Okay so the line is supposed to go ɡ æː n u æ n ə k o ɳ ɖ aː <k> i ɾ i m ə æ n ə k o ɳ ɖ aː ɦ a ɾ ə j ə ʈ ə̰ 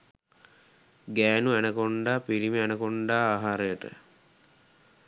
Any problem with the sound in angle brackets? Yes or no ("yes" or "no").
yes